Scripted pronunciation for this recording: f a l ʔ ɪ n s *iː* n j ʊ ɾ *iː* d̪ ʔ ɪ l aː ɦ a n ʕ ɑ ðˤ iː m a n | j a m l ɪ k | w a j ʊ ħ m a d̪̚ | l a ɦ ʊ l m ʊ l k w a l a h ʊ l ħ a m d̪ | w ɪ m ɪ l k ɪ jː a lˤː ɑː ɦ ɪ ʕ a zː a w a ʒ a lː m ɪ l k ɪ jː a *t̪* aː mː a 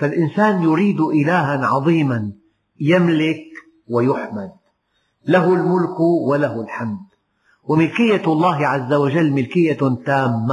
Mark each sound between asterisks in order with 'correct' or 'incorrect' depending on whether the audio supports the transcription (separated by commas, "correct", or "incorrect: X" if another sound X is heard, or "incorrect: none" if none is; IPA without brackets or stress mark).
incorrect: aː, correct, correct